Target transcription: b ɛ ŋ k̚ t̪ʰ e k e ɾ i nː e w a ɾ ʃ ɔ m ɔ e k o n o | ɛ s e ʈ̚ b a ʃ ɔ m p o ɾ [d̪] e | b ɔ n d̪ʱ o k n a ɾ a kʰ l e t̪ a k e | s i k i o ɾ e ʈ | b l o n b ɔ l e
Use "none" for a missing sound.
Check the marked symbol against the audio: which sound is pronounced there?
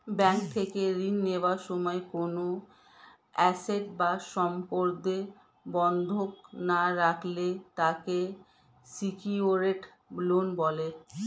d̪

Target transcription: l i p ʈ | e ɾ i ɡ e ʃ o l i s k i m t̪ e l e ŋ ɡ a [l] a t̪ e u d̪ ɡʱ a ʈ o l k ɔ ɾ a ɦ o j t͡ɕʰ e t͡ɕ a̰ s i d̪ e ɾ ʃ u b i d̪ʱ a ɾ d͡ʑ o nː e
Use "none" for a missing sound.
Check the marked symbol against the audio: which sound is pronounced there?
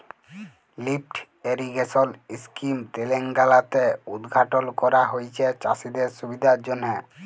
l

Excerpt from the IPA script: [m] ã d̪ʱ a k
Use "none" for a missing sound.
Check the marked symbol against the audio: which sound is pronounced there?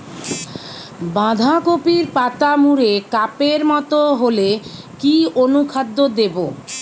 b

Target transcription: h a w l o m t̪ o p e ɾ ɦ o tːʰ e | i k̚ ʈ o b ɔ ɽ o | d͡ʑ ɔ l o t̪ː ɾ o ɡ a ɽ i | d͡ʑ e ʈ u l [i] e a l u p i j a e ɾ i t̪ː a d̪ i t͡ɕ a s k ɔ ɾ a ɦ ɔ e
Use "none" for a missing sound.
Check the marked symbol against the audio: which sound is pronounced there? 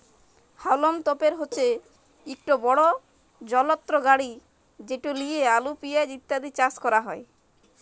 i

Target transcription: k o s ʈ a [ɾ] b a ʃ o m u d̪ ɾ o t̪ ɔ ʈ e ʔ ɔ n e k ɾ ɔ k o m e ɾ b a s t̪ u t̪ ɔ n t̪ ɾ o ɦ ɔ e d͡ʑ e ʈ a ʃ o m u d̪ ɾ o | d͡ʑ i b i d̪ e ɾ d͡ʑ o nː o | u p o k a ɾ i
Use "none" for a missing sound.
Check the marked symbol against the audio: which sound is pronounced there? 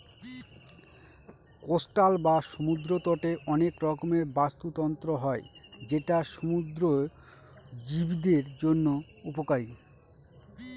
l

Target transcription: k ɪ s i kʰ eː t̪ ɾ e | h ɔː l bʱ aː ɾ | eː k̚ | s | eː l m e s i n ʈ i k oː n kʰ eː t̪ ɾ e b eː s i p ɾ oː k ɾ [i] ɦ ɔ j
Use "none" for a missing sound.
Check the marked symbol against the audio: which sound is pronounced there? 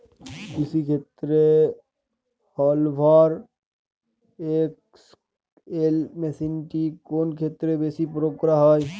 a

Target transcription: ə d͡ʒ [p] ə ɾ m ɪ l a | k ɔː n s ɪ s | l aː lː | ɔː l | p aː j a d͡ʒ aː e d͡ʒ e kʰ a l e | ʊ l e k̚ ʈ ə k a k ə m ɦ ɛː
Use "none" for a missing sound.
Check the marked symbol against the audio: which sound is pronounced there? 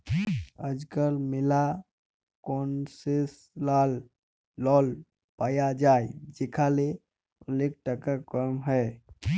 k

